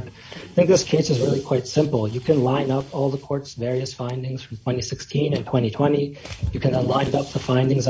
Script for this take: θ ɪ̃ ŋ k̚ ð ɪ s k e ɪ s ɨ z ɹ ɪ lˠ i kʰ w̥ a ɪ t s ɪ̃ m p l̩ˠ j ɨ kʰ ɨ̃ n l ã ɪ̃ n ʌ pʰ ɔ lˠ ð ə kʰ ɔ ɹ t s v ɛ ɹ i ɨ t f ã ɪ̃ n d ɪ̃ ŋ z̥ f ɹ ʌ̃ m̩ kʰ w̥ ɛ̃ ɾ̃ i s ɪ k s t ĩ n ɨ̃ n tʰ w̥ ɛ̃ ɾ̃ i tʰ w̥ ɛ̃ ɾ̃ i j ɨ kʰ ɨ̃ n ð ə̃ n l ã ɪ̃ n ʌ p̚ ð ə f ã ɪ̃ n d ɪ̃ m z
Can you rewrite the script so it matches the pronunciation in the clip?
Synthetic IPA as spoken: θ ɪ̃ ŋ k̚ ð ɪ s kʰ e ɪ s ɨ z ɹ ɪ lˠ i kʰ w̥ a ɪ t s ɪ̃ m p l̩ˠ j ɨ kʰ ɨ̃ n l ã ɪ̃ n ʌ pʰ ɔ lˠ ð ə kʰ ɔ ɹ t s v ɛ ɹ i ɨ s f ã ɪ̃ n d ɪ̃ ŋ z̥ f ɹ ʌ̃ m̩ tʰ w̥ ɛ̃ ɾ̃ i s ɪ k s tʰ ĩ n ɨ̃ n tʰ w̥ ɛ̃ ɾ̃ i tʰ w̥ ɛ̃ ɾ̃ i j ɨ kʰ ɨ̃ n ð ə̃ n l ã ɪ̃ n ʌ p̚ ð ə f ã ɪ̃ n d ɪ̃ ŋ z